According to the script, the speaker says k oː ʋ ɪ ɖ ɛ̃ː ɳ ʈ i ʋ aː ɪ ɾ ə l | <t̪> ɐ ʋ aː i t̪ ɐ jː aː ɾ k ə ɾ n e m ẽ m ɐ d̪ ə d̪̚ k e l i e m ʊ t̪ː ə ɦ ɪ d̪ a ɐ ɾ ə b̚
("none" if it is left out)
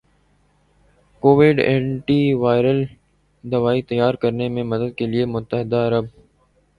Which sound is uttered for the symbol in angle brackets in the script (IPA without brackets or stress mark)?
d̪